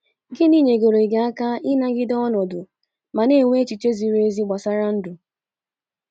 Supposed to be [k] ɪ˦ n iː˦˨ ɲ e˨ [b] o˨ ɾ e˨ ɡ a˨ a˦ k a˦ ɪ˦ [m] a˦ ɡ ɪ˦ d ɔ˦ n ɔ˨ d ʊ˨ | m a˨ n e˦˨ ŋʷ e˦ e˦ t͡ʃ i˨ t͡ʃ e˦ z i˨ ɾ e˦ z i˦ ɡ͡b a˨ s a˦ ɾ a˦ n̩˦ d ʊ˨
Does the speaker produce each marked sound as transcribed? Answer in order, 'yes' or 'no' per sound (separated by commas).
no, no, no